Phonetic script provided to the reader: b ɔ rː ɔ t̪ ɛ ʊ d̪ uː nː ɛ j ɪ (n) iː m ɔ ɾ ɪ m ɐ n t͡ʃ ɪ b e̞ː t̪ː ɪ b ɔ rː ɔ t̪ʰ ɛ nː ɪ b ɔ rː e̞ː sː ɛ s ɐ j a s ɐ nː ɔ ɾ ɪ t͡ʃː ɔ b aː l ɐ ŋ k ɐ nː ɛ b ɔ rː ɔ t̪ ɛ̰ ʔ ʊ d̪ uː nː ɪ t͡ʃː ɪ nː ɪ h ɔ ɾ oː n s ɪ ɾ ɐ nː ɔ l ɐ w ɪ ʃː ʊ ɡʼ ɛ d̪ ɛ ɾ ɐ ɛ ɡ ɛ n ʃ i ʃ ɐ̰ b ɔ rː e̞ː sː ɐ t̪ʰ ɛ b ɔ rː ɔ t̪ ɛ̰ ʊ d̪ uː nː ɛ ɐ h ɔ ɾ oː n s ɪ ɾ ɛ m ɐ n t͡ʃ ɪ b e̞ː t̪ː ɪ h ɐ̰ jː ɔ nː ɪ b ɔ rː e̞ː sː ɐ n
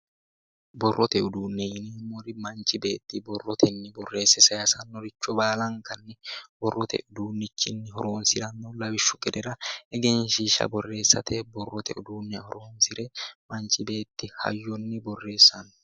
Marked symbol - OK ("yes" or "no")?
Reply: yes